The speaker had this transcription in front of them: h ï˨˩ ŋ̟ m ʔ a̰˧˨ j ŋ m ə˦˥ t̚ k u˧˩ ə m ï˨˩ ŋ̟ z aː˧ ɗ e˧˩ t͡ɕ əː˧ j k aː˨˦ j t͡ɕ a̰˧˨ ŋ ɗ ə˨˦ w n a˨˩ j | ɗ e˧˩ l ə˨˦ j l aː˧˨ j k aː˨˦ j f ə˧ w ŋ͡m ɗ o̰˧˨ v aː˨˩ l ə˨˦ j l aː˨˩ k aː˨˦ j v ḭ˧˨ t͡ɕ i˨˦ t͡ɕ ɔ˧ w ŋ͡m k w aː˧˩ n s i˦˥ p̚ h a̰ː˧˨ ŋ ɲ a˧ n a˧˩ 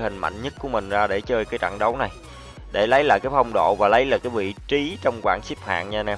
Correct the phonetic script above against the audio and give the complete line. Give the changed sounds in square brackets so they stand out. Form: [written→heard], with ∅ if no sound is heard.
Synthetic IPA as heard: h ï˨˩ ŋ̟ m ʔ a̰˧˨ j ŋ [m→ɲ] ə˦˥ t̚ k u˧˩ ə m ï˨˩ ŋ̟ z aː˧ ɗ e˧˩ t͡ɕ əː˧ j k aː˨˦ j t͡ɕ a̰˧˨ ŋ ɗ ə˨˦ w n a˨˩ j | ɗ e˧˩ l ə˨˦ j l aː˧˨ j k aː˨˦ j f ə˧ w ŋ͡m ɗ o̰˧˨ v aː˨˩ l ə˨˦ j l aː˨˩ k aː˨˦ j v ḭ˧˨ t͡ɕ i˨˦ t͡ɕ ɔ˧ w ŋ͡m k w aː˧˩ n s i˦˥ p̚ h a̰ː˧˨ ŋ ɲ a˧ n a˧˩

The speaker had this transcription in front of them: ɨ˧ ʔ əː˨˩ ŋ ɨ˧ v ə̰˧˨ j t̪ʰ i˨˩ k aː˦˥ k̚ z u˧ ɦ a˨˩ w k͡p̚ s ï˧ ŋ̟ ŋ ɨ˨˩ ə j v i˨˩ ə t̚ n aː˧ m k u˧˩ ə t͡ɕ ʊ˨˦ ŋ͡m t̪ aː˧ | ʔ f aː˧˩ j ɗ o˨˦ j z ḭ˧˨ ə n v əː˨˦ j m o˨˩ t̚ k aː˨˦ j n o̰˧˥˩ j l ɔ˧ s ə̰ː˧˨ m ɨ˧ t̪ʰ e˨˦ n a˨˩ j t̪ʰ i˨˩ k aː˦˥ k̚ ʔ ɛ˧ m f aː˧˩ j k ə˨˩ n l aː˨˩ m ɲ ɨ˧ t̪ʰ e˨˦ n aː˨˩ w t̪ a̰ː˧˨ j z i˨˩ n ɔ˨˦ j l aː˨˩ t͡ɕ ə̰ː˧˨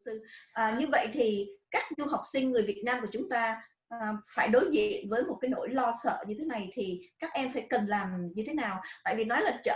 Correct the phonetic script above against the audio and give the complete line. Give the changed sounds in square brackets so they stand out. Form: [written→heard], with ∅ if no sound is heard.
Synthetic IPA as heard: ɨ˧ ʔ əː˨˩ [ŋ→ɲ] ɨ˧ v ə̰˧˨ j t̪ʰ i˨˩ k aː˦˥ k̚ z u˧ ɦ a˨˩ w k͡p̚ s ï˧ ŋ̟ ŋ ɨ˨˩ ə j v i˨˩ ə t̚ n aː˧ m k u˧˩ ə t͡ɕ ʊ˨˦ ŋ͡m t̪ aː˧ | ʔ f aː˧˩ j ɗ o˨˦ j z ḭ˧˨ ə n v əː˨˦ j m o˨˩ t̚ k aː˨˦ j n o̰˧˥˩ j l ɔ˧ s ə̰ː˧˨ [m→ɲ] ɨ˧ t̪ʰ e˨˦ n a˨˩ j t̪ʰ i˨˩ k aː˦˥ k̚ ʔ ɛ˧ m f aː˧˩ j k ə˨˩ n l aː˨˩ m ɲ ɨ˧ t̪ʰ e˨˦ n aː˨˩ w t̪ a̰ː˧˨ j [z→v] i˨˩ n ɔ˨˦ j l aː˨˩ t͡ɕ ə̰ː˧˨

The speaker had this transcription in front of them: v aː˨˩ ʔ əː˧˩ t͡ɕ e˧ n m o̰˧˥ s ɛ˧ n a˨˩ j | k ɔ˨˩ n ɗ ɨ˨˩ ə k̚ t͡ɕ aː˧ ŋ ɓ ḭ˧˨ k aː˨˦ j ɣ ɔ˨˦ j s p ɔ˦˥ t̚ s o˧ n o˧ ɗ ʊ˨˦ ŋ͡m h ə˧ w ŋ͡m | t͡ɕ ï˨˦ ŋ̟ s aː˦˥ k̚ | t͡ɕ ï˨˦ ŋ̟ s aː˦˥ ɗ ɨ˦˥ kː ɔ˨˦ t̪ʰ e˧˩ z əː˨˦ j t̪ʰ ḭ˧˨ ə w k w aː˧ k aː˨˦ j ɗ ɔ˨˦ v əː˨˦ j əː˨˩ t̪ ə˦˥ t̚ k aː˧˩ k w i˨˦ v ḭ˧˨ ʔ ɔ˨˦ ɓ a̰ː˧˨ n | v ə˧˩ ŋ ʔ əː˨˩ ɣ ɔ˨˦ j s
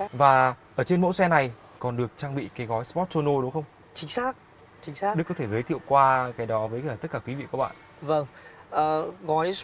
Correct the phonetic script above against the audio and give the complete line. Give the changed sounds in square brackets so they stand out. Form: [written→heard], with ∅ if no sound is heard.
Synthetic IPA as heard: v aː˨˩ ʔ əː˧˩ t͡ɕ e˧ n m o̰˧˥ s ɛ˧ n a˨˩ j | k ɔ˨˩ n ɗ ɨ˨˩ ə k̚ t͡ɕ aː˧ ŋ ɓ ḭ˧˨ k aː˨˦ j ɣ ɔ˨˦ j s p ɔ˦˥ t̚ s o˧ n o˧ ɗ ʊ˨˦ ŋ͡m [h→x] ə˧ w ŋ͡m | t͡ɕ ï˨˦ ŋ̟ s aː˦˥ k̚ | t͡ɕ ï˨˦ ŋ̟ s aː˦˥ ɗ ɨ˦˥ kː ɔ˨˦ t̪ʰ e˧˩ z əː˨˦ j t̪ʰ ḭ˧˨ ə w k w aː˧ k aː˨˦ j ɗ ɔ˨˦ v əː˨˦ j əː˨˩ t̪ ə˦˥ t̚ k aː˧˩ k w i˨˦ v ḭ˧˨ [ʔ→k] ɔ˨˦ ɓ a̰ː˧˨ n | v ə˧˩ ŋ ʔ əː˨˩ ɣ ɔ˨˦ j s

